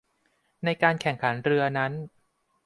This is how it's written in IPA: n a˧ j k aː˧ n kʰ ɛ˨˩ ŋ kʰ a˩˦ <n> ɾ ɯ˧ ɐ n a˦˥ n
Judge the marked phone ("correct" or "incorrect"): correct